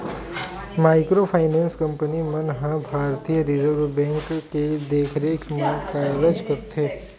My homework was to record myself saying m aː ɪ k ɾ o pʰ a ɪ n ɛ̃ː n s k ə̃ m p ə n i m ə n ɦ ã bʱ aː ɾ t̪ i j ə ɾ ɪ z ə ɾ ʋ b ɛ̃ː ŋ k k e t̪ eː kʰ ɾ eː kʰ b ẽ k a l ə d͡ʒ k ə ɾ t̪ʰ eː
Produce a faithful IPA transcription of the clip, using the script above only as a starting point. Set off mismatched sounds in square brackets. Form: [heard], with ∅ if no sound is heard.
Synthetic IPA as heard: m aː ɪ k ɾ o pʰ a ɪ n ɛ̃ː n s k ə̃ m p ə n i m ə n ɦ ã bʱ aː ɾ t̪ i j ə ɾ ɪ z ə ɾ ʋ b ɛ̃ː ŋ k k e [d̪] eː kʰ ɾ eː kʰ [m] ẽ k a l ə d͡ʒ k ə ɾ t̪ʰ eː